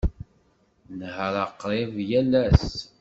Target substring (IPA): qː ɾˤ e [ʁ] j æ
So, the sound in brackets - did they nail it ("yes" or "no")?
no